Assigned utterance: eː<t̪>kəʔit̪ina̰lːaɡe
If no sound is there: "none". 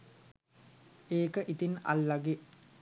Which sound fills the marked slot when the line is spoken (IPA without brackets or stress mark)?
none